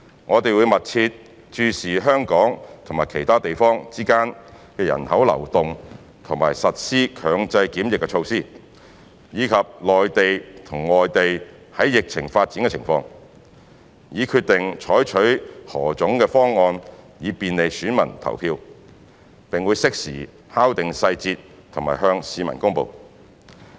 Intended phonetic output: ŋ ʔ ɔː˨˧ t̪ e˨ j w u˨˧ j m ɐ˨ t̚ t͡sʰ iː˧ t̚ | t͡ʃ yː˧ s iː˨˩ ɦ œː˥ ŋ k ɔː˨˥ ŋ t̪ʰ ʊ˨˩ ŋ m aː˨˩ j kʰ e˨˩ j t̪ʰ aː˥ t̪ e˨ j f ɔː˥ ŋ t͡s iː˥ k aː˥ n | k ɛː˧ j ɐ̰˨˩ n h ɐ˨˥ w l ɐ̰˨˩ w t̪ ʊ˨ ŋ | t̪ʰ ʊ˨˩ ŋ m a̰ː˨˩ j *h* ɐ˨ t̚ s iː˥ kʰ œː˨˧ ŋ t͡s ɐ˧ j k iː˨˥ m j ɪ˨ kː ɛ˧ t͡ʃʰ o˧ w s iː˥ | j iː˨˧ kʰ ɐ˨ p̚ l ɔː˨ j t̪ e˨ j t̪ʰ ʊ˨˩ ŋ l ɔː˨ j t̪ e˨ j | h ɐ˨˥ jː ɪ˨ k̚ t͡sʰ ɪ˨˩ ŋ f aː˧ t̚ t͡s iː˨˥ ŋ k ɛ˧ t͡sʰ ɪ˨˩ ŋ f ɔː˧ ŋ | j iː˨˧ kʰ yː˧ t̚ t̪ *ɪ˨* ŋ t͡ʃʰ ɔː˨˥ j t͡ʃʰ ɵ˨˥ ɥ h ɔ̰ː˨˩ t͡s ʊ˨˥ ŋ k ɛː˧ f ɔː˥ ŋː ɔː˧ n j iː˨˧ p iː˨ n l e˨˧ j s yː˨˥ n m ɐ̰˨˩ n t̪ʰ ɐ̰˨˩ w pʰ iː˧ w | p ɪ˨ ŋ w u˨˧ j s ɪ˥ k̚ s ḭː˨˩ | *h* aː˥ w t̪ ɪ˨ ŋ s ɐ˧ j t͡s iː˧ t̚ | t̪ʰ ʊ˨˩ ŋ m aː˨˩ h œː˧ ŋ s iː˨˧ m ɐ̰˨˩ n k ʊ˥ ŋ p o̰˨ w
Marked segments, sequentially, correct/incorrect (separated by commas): incorrect, correct, correct